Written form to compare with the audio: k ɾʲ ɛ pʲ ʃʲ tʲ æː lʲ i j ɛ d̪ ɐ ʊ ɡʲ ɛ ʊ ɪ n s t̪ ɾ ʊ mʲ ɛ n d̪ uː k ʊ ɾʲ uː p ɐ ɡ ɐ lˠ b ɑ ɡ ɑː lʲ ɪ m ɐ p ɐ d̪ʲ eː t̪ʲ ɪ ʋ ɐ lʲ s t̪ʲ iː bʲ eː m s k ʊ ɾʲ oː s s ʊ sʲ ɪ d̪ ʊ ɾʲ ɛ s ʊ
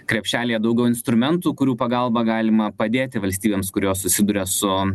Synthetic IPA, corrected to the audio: k ɾʲ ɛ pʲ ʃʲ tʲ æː lʲ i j ɛ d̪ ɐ ʊ ɡʲ ɛ ʊ ɪ n s t̪ ɾ ʊ mʲ ɛ n t̪ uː k ʊ ɾʲ uː p ɐ ɡ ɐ lˠ b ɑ ɡ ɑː lʲ ɪ m ɐ p ɐ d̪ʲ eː t̪ʲ ɪ ʋ ɐ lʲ s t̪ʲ iː bʲ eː m s k ʊ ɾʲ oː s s ʊ sʲ ɪ d̪ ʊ ɾʲ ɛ s ʊ